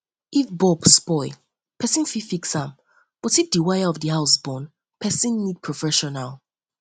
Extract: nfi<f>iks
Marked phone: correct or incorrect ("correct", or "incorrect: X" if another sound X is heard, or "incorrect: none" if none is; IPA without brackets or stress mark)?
correct